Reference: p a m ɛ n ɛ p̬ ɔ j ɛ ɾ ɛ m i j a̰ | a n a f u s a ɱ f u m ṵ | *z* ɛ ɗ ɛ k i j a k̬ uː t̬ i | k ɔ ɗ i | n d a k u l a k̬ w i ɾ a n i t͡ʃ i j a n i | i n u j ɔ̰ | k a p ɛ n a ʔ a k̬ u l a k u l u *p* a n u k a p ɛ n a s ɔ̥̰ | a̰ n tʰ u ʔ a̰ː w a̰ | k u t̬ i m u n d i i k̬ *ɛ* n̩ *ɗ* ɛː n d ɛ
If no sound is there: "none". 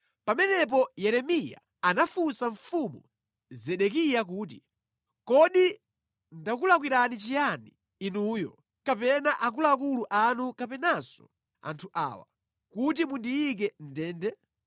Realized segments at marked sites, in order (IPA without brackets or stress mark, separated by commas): z, ʔ, ɛ, d